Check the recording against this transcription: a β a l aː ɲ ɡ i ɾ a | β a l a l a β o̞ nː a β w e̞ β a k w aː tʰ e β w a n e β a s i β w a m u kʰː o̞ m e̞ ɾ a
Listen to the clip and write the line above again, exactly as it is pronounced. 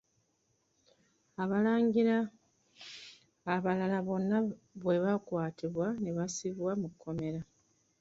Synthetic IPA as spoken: a β a l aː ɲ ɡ i ɾ a | β a l a l a β o̞ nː a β w e̞ β a k w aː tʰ i β w a n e β a s i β w a m u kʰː o̞ m e̞ ɾ a